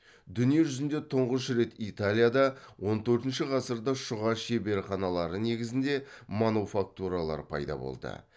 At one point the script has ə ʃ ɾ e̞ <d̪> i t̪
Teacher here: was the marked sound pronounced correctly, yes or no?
no